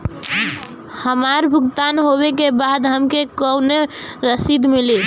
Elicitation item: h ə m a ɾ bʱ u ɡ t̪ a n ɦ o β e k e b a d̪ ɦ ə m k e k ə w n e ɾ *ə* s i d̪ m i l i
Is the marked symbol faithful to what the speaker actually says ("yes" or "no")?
yes